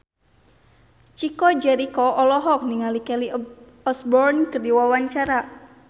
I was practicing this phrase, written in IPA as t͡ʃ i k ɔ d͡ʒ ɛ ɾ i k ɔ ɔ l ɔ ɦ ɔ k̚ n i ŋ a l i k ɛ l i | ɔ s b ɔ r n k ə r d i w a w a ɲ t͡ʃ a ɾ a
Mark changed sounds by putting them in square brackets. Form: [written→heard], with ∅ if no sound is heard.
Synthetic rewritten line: t͡ʃ i k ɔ d͡ʒ ɛ ɾ i k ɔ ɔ l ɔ ɦ ɔ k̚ n i ŋ a l i k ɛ l i | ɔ s b ɔ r n k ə r d i w a w a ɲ t͡ʃ a ɾ a